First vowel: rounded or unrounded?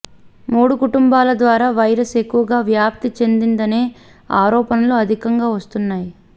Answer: rounded